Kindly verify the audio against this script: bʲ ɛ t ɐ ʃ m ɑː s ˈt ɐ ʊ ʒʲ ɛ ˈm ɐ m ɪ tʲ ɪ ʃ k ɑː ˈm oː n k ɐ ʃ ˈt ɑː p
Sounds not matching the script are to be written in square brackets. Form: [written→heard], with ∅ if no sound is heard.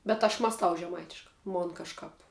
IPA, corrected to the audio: bʲ ɛ t ɐ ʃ m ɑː s ˈt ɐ ʊ ʒʲ ɛ ˈm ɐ [m→∅] ɪ tʲ ɪ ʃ k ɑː ˈm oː n k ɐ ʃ [ˈt→ˈk] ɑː p